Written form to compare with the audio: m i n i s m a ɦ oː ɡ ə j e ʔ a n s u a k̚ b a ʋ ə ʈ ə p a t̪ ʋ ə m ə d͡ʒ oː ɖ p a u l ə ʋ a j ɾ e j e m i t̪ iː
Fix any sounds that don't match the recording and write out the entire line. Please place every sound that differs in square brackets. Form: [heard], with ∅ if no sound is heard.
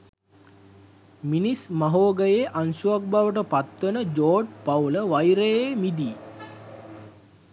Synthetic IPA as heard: m i n i s m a ɦ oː ɡ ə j e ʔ a n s u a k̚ b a ʋ ə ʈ ə p a t̪ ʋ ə [n] ə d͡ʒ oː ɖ p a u l ə ʋ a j ɾ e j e m i [d̪] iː

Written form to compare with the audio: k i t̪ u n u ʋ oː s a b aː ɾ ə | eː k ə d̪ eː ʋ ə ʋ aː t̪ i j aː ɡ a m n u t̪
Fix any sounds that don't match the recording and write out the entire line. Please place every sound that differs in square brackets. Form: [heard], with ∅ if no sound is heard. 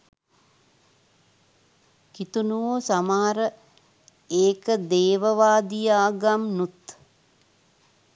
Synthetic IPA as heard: k i t̪ u n u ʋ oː s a [m] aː ɾ ə | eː k ə d̪ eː ʋ ə ʋ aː [d̪] i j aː ɡ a m n u t̪

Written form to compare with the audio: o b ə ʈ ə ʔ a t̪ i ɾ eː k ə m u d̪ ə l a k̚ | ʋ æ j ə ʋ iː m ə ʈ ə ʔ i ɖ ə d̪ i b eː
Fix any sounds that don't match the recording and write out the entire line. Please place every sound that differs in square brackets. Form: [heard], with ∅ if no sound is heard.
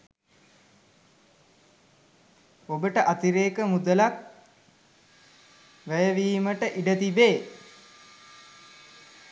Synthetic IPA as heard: o b ə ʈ ə ʔ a t̪ i ɾ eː k ə m u d̪ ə l a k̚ | ʋ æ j ə ʋ iː m ə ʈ ə ʔ i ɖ ə [t̪] i b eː

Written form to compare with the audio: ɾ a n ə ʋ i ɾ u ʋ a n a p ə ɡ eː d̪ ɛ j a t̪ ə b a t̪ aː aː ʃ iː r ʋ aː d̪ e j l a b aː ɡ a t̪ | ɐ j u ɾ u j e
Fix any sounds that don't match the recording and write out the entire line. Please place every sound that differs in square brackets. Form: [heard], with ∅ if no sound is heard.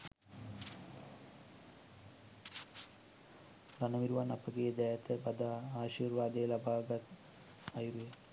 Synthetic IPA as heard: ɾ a n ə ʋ i ɾ u ʋ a n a p ə ɡ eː d̪ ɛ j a t̪ ə b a [d̪] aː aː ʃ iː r ʋ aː d̪ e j l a b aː ɡ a t̪ | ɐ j u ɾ u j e

